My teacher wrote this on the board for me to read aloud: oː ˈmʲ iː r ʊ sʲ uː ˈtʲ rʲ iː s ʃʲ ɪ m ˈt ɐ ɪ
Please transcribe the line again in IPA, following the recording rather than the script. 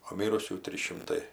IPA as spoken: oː ˈmʲ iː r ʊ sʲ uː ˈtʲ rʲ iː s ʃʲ ɪ m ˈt ɐ ɪ